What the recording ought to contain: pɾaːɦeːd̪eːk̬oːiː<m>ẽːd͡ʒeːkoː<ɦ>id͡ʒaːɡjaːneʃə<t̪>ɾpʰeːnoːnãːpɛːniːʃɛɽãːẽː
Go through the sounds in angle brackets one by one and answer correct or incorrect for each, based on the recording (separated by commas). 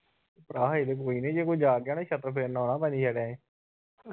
incorrect, incorrect, correct